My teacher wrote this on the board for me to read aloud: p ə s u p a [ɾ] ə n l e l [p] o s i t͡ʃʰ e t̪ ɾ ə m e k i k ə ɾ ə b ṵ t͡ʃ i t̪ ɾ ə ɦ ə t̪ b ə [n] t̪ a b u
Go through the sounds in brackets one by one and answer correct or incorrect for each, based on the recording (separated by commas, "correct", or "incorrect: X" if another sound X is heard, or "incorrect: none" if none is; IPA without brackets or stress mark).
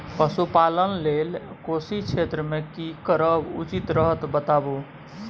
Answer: incorrect: l, incorrect: k, incorrect: none